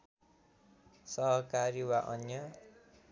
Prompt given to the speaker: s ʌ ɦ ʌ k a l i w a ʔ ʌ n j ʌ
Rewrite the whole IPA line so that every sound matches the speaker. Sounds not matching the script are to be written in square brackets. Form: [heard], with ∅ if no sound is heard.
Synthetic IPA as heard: s ʌ ɦ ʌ k a [ɾ] i w a ʔ ʌ n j ʌ